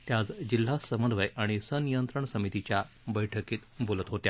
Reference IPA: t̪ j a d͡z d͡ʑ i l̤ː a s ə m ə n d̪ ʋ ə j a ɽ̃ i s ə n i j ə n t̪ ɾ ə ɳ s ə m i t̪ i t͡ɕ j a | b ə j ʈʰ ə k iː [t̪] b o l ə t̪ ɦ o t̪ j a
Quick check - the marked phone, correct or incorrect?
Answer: correct